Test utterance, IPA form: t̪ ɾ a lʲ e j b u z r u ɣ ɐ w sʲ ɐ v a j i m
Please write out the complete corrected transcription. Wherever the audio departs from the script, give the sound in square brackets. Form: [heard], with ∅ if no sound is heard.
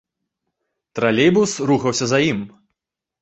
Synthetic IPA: t̪ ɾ a lʲ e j b u [s] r u [x] ɐ w sʲ ɐ [z] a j i m